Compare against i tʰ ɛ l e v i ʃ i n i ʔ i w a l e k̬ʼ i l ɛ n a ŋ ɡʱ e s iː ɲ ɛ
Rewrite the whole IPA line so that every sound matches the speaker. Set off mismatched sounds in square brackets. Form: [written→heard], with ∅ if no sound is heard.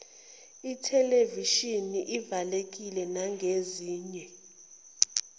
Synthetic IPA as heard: i tʰ ɛ l e v i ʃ i n i ʔ i [w→v] a l e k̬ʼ i l ɛ n a ŋ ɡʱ e [s→z] iː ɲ ɛ